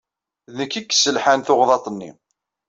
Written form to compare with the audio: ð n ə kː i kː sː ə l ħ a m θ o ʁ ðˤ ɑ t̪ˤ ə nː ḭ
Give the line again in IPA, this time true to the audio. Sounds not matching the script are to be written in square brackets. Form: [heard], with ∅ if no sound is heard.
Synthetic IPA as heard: ð n ə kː i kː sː ə l ħ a [n] θ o ʁ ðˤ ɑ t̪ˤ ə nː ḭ